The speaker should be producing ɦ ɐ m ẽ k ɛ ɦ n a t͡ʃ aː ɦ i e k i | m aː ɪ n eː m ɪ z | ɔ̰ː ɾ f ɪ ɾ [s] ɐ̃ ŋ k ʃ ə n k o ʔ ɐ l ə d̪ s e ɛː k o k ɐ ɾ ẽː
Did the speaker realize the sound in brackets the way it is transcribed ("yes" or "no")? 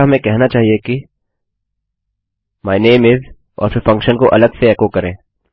no